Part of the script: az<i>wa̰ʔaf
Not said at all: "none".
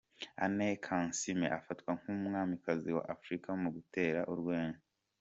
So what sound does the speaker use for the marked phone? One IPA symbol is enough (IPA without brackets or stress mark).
i